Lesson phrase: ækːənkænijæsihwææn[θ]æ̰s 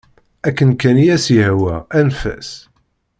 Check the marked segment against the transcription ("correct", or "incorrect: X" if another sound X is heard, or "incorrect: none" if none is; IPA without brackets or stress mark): incorrect: f